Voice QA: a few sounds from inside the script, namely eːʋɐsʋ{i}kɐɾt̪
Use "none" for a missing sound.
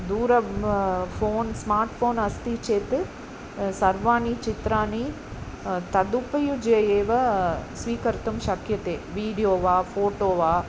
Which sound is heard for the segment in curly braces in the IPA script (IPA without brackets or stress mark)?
iː